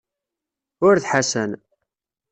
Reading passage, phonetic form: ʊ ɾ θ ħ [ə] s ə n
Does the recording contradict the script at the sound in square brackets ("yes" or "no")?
yes